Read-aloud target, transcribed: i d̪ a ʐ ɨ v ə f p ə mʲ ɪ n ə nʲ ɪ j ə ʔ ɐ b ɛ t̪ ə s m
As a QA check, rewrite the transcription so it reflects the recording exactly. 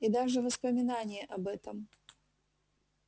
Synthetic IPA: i d̪ a ʐ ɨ v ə s p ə mʲ ɪ n a nʲ ɪ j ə ʔ ɐ b ɛ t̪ ə m